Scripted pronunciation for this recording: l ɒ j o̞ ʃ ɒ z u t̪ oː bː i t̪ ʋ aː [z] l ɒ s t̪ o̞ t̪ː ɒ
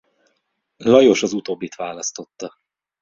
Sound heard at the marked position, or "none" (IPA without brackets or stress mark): none